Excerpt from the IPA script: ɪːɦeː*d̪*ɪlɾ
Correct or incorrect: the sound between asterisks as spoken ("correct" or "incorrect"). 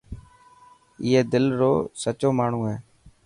correct